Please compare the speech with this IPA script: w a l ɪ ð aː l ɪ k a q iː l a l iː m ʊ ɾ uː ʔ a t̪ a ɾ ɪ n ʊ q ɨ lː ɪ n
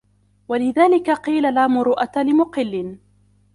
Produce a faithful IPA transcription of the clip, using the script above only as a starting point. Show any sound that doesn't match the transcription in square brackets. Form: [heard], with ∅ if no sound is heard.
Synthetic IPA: w a l ɪ ð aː l ɪ k a q iː l a l [aː] m ʊ ɾ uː ʔ a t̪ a [l] ɪ [m] ʊ q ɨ lː ɪ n